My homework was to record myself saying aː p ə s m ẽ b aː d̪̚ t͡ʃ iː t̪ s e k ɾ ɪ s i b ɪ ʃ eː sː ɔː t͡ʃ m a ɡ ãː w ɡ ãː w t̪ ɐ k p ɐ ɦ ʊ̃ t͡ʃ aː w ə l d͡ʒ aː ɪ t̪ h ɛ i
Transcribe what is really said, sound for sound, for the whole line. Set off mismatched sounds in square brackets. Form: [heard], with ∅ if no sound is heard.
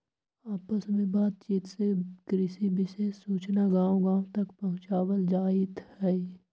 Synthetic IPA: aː p ə s m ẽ b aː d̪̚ t͡ʃ iː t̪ s e k ɾ ɪ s i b ɪ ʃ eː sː [uː] t͡ʃ [n] a ɡ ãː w ɡ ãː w t̪ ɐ k p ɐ ɦ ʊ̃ t͡ʃ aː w ə l d͡ʒ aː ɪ t̪ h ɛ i